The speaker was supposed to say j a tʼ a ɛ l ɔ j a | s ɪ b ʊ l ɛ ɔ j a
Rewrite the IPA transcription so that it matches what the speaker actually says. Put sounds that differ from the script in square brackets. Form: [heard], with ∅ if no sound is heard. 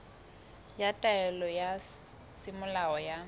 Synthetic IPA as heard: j a tʼ a ɛ l ɔ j a | s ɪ [m] ʊ l [a] ɔ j a